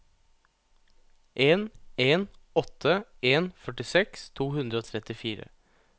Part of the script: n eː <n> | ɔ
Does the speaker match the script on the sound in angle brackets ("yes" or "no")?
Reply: yes